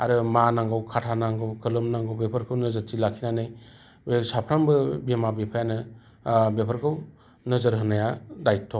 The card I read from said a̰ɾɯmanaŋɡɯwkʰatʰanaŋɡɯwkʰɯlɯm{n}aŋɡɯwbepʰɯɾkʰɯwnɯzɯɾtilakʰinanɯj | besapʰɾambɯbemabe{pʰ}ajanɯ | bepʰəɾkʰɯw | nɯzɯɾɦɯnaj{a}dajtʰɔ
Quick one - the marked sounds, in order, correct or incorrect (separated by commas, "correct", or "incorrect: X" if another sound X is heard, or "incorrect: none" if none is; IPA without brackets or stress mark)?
correct, correct, correct